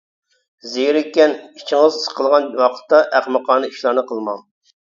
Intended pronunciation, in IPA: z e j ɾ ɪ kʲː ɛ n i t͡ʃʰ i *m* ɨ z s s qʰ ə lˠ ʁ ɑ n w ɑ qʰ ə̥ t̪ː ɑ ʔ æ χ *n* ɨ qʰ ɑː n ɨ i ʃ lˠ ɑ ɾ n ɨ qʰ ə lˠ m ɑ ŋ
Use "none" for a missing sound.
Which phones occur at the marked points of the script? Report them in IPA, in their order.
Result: ŋ, m

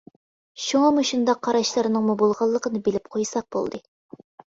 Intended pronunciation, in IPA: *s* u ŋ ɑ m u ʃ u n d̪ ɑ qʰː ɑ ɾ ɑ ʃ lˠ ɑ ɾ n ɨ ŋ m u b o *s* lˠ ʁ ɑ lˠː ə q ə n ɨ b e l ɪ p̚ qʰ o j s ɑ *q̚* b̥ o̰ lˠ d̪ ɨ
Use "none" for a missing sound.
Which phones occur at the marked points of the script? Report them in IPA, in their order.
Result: ʃ, none, q̚

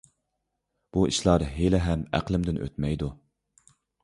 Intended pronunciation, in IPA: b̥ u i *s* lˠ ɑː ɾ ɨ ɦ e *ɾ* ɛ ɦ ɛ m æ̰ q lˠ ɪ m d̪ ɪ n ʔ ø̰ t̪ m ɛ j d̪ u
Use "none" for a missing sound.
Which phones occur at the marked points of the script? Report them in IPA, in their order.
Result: ʃ, l

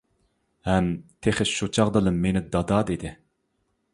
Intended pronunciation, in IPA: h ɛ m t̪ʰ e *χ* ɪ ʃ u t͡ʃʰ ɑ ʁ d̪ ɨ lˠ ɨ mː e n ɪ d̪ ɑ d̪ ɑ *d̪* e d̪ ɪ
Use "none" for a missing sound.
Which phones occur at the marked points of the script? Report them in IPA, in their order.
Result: χ, d̪

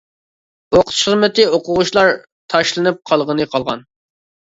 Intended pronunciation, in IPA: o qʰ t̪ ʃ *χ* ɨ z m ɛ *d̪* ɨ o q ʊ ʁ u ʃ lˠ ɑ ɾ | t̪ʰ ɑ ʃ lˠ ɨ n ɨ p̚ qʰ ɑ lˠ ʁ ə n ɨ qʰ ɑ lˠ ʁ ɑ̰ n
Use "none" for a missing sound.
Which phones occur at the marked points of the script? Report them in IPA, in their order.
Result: χ, t̪

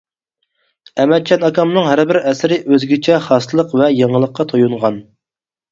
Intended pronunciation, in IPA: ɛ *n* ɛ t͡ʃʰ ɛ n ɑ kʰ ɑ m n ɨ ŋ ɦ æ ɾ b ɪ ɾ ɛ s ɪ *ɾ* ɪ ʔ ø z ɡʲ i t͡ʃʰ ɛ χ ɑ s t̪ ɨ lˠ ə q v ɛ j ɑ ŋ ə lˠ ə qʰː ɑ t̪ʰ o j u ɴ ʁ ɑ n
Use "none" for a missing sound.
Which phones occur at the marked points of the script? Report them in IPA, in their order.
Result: m, ɾ

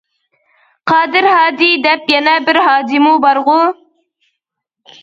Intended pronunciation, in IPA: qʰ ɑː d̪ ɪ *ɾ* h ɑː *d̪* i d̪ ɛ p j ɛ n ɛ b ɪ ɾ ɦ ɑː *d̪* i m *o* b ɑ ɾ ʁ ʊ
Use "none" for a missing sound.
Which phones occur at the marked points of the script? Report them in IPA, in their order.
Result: ɾ, d̪, d̪, u

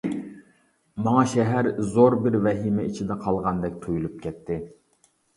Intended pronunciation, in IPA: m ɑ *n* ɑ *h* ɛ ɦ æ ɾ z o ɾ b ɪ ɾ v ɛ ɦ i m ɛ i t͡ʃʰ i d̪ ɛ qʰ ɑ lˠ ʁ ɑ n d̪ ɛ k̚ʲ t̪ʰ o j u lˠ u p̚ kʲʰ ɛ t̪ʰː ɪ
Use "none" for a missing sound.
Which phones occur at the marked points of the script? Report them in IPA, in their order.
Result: ŋ, ʃ

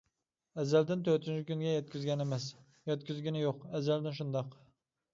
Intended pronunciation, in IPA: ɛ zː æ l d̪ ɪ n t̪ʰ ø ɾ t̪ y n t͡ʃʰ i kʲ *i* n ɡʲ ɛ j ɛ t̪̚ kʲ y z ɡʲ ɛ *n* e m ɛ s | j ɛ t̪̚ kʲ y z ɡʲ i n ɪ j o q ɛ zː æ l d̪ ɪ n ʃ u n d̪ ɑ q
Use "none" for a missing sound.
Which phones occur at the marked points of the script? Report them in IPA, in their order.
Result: y, n

